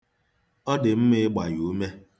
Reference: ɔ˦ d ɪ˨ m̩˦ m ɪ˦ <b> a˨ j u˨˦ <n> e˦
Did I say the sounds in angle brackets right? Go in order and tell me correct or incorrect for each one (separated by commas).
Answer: incorrect, incorrect